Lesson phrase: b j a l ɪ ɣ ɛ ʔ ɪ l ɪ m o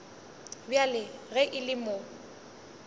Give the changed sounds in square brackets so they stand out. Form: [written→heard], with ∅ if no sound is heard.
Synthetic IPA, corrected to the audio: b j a l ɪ ɣ ɛ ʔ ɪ l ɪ m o